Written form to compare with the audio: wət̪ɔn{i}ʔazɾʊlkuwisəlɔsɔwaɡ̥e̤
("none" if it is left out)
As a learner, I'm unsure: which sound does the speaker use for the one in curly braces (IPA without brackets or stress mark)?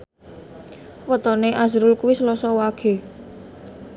e